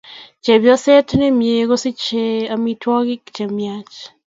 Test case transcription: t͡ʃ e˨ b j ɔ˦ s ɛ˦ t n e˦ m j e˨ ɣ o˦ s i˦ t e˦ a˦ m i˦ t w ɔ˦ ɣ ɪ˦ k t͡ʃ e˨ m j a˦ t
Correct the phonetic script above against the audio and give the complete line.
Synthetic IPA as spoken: t͡ʃ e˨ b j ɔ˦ s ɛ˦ t n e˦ m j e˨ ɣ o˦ s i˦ t͡ʃ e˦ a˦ m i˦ t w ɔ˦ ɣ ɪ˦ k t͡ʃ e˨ m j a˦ t͡ʃ